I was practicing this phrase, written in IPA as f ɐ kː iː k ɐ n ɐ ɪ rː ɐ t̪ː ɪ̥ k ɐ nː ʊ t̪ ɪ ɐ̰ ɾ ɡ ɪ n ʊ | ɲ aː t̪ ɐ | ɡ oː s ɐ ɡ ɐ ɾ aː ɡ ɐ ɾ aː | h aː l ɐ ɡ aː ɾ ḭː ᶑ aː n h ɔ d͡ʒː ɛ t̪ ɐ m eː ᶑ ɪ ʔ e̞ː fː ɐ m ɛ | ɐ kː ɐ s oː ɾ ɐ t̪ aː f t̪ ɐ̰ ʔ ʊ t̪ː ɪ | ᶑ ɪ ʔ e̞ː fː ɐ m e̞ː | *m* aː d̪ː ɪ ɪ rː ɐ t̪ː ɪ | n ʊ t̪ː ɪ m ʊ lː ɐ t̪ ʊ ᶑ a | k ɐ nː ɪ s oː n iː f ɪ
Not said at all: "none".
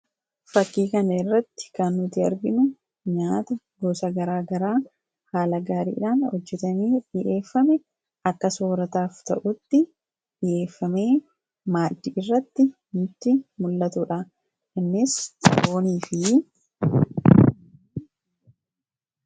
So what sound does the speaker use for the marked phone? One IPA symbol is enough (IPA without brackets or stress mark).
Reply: m